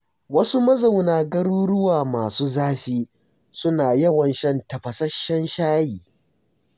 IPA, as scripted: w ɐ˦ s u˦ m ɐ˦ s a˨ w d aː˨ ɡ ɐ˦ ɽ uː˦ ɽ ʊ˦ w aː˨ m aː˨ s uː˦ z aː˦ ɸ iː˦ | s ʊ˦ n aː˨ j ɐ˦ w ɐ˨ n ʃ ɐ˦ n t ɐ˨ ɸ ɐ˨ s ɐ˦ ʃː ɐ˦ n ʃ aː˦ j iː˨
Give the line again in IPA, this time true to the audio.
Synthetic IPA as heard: w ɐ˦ s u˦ m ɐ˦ z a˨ w n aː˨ ɡ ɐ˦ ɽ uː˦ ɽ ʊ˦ w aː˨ m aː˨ s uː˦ z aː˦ ɸ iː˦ | s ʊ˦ n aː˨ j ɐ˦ w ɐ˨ n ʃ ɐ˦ n t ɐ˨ ɸ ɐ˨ s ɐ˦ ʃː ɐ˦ n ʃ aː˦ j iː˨